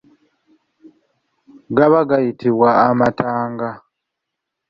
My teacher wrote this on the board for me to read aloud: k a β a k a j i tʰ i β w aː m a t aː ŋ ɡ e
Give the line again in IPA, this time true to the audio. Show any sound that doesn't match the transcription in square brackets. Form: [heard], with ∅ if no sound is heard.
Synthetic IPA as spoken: [ɡ] a β a [ɡ] a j i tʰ i β w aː m a t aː ŋ ɡ [a]